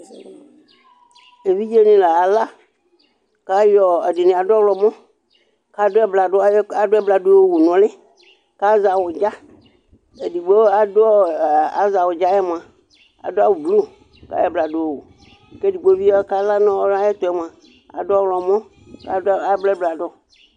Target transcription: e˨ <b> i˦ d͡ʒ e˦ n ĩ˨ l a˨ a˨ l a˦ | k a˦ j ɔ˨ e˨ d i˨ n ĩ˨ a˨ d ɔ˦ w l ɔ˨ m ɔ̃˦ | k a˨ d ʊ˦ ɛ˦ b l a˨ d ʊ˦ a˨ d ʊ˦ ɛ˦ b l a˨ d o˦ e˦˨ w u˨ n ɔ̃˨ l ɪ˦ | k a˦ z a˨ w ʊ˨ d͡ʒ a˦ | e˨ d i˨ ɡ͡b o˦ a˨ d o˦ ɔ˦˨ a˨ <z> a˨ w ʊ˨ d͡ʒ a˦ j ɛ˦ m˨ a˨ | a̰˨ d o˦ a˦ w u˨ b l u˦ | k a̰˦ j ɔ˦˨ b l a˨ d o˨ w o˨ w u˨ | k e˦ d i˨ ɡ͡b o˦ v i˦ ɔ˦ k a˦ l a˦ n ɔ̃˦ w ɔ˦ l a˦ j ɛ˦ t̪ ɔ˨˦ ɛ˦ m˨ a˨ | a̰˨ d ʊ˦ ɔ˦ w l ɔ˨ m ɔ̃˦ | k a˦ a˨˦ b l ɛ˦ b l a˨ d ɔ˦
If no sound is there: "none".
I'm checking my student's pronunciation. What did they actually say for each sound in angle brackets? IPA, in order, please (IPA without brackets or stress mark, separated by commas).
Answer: v, z